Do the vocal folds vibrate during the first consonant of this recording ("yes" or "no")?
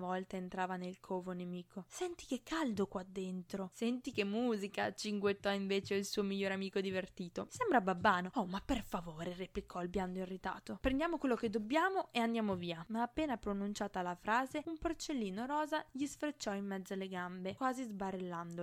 yes